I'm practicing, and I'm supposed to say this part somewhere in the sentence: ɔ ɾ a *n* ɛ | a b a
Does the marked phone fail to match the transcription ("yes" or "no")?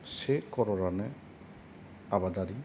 no